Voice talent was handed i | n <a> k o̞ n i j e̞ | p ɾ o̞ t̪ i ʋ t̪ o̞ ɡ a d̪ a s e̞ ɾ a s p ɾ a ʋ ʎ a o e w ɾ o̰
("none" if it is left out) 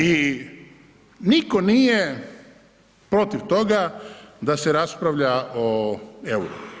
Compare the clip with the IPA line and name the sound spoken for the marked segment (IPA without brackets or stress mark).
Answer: i